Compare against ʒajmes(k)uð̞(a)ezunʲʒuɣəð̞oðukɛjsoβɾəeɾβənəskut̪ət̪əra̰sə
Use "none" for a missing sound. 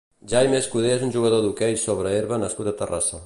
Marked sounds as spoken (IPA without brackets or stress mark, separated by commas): k, e